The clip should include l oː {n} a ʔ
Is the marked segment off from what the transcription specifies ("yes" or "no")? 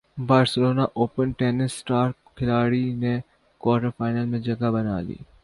no